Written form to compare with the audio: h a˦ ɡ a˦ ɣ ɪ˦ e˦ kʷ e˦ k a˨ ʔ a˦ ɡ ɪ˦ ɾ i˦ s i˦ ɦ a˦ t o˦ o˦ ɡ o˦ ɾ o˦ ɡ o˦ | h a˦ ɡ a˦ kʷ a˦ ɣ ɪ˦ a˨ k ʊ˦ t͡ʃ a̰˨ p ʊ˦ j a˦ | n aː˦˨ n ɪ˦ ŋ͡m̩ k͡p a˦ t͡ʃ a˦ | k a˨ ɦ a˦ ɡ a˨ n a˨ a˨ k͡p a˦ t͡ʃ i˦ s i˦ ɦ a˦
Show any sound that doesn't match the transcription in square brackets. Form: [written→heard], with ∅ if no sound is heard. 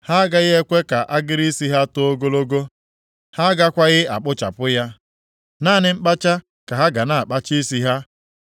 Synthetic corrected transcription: h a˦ ɡ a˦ ɣ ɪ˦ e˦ kʷ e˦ k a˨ ʔ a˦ ɡ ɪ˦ ɾ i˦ s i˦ ɦ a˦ t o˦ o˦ ɡ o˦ [ɾ→l] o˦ ɡ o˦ | h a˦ ɡ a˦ kʷ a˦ ɣ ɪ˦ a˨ [k→k͡p] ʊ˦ t͡ʃ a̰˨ p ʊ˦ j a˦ | n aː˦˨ n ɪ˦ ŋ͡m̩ k͡p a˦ t͡ʃ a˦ | k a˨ ɦ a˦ ɡ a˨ n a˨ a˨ k͡p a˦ t͡ʃ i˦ s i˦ ɦ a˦

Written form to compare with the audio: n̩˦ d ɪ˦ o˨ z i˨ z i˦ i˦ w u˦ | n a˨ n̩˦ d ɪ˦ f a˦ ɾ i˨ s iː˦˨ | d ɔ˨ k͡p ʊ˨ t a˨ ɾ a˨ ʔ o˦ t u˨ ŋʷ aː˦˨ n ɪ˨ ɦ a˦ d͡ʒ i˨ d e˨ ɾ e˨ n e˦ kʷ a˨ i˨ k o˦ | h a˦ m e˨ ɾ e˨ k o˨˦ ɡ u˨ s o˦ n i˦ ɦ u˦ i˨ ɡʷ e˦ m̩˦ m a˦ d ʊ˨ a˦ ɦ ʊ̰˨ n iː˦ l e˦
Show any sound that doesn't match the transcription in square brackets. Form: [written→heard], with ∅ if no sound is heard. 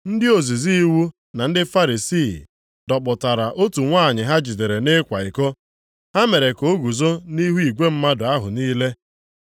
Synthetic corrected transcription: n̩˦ d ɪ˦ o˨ z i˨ z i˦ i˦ w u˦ | n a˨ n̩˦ d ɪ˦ f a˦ ɾ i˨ s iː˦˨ | d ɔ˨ k͡p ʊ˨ t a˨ ɾ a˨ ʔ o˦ t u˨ ŋʷ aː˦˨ [n→ɲ] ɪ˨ ɦ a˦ d͡ʒ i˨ d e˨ ɾ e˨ n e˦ kʷ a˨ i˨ k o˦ | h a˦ m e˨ ɾ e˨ k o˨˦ ɡ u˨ [s→z] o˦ n i˦ ɦ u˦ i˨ ɡʷ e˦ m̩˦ m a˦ d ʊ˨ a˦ ɦ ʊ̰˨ n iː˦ l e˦

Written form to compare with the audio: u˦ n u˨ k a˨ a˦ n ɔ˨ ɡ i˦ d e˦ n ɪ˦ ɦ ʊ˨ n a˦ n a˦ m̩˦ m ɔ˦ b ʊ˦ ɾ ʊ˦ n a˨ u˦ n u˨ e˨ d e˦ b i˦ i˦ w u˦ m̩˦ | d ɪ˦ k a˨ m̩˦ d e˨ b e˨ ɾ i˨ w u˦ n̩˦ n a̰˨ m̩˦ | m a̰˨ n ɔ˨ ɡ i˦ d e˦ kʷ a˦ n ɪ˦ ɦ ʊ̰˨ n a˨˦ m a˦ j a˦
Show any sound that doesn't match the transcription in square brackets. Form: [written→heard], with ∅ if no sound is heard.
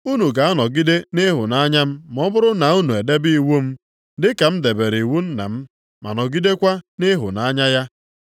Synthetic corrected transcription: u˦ n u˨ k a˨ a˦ n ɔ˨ ɡ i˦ d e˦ n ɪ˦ ɦ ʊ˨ n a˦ [n→ɲ] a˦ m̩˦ m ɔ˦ b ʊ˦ ɾ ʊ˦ n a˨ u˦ n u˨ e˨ d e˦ b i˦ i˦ w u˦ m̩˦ | d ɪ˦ k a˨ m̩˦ d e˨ b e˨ ɾ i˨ w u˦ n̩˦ n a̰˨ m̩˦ | m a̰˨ n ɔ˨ ɡ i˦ d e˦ kʷ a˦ n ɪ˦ ɦ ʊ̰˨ n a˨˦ [m→ɲ] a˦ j a˦

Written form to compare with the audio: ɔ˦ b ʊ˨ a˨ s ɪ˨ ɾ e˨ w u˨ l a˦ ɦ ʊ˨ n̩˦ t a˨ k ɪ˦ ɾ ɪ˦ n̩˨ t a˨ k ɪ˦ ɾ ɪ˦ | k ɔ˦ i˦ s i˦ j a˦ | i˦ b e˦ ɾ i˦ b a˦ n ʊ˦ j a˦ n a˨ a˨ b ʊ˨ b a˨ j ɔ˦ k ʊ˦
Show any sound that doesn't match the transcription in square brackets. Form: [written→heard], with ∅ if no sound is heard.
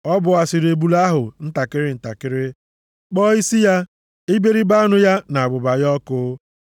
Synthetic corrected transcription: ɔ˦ b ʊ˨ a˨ s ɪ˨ ɾ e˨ [w→b] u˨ l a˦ ɦ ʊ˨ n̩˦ t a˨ k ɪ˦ ɾ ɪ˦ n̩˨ t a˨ k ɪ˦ ɾ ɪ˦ | [k→k͡p] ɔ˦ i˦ s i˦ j a˦ | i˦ b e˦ ɾ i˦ b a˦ n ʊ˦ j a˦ n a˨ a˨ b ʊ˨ b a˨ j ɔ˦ k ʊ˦

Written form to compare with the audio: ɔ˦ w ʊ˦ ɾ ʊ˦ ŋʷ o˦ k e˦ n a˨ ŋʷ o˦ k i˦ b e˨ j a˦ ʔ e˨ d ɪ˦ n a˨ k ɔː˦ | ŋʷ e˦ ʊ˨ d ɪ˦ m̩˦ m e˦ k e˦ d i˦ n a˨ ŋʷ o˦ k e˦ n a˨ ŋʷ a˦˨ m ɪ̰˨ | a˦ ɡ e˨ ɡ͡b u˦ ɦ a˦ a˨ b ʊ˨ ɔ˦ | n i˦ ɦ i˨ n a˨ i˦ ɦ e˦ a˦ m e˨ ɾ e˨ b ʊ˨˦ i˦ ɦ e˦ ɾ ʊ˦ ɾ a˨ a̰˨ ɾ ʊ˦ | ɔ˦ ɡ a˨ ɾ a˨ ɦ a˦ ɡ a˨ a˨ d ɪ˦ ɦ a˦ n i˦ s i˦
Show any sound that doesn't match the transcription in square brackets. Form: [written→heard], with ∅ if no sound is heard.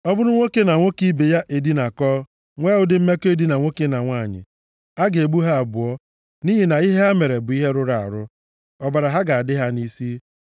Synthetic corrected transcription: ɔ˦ [w→b] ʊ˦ ɾ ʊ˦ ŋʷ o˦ k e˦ n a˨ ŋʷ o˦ k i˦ b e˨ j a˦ ʔ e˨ d [ɪ˦→i˦] n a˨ k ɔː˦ | ŋʷ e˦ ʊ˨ d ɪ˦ m̩˦ m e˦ k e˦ d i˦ n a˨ ŋʷ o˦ k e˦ n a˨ ŋʷ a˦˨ [m→ɲ] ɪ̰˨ | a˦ ɡ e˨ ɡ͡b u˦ ɦ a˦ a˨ b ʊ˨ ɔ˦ | n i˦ ɦ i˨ n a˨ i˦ ɦ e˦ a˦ m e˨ ɾ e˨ b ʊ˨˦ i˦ ɦ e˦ ɾ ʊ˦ ɾ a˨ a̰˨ ɾ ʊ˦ | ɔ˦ [ɡ→b] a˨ ɾ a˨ ɦ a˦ ɡ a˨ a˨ d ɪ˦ ɦ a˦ n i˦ s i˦

